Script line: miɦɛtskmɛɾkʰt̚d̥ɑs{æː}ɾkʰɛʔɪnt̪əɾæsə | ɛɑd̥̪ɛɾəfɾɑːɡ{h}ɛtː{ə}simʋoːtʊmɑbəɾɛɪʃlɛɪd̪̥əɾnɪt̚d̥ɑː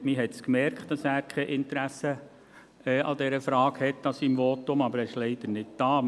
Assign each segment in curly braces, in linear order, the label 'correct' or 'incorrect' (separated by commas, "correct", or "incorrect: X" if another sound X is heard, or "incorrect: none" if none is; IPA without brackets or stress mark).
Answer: correct, correct, incorrect: ɑ